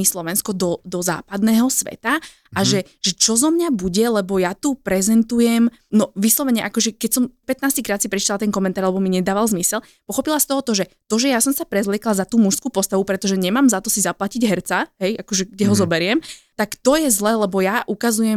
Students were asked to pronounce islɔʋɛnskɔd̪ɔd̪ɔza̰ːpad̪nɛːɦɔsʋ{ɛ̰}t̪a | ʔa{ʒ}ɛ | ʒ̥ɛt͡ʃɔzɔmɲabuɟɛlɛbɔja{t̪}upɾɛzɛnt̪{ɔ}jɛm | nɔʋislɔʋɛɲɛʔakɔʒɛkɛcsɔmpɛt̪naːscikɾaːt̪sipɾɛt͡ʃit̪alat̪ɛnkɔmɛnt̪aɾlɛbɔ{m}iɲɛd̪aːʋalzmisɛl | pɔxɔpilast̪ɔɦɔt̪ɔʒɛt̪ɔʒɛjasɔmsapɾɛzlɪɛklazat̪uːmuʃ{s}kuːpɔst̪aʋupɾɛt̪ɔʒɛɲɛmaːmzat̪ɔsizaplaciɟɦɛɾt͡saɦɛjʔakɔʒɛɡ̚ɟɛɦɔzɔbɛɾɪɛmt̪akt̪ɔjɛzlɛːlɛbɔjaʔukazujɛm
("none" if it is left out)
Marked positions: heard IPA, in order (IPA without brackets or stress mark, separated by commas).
ɛ̰, ʒ, t̪, u, m, s